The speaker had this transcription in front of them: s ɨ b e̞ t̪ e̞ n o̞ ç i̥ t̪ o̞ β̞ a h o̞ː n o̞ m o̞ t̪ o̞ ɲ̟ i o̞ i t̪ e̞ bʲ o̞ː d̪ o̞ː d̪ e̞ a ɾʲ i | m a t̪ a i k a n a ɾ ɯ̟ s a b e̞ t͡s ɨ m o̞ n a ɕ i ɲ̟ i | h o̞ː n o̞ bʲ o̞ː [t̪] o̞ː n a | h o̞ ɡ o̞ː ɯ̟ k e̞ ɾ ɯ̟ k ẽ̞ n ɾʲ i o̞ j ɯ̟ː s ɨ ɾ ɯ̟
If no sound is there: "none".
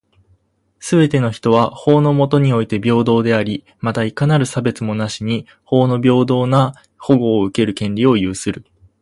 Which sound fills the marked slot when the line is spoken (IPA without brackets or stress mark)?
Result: d̪